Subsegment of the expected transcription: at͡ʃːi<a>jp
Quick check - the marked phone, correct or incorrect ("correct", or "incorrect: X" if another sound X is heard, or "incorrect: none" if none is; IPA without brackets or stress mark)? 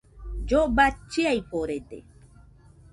correct